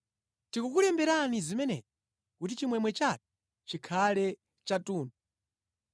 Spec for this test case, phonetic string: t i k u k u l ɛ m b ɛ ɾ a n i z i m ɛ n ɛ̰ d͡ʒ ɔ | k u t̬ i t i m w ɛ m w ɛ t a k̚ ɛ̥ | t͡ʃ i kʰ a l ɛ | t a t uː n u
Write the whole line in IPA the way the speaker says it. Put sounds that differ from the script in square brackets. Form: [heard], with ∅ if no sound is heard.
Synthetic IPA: t i k u k u l ɛ m b ɛ ɾ a n i z i m ɛ n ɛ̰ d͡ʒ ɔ | k u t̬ i [t͡ʃ] i m w ɛ m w ɛ [t͡ʃ] a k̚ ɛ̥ | t͡ʃ i kʰ a l ɛ | [t͡ʃ] a t uː n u